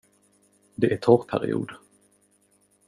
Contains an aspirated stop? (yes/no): yes